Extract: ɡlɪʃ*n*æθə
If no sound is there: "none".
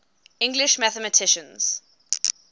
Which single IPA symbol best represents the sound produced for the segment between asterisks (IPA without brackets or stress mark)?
m